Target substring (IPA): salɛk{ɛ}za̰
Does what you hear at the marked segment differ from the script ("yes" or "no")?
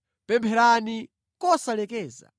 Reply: yes